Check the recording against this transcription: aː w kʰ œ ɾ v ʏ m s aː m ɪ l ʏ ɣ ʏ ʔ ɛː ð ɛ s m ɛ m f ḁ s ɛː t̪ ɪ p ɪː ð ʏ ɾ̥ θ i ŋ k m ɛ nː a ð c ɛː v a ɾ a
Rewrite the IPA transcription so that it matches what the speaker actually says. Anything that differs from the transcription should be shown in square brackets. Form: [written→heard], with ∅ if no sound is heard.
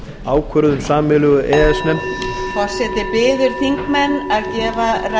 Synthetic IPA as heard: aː w kʰ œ ɾ [v→ð] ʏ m s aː m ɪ l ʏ ɣ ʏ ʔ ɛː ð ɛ s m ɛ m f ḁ s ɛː t̪ ɪ p ɪː ð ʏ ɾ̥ θ i ŋ k m ɛ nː a ð c ɛː v a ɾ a